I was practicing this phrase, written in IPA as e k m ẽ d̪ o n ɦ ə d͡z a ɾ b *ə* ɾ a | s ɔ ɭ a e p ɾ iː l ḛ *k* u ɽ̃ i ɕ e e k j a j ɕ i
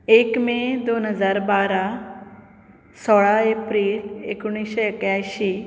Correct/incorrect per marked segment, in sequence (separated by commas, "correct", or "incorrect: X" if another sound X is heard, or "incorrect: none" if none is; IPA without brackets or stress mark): incorrect: a, correct